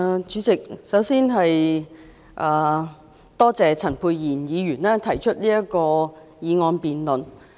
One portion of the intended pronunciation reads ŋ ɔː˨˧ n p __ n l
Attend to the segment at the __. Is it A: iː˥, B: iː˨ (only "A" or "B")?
B